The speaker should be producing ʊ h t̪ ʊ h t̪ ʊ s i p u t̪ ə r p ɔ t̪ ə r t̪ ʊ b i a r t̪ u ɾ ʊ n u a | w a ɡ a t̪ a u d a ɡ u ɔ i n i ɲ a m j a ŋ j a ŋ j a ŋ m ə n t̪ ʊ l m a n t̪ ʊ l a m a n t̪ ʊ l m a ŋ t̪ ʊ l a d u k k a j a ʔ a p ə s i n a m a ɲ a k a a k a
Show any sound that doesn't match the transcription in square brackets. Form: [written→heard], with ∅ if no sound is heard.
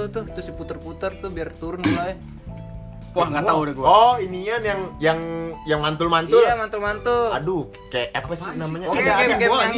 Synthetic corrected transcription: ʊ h t̪ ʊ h t̪ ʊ s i p u t̪ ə r p [ɔ→u] t̪ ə r t̪ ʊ b i a r t̪ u ɾ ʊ n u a | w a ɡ a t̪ a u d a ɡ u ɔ i n i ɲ a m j a ŋ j a ŋ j a ŋ m [ə→a] n t̪ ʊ l m a n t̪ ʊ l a m a n t̪ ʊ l m a [ŋ→n] t̪ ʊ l a d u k k a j a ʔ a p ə s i n a m a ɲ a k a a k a